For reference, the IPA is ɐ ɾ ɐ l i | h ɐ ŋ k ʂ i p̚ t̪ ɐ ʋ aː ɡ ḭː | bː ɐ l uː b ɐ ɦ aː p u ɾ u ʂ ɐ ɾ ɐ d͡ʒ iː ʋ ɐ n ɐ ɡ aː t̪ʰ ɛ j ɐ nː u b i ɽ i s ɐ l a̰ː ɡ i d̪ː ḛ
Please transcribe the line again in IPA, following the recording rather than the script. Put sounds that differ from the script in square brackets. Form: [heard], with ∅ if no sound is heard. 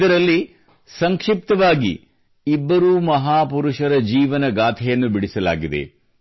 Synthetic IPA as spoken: ɐ ɾ ɐ [lː] i | [s] ɐ ŋ k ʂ i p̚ t̪ ɐ ʋ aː ɡ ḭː | bː ɐ [ɾ] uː [m] ɐ ɦ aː p u ɾ u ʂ ɐ ɾ ɐ d͡ʒ iː ʋ ɐ n ɐ ɡ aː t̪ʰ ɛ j ɐ nː u b i ɽ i s ɐ l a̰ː ɡ i [d̪] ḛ